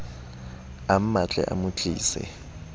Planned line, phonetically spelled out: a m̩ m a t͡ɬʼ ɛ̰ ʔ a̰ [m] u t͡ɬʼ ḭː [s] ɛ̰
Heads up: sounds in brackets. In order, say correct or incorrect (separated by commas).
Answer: correct, correct